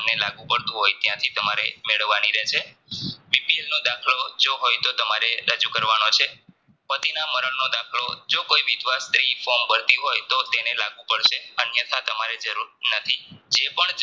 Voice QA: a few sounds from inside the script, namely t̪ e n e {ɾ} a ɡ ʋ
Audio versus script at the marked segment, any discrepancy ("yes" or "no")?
yes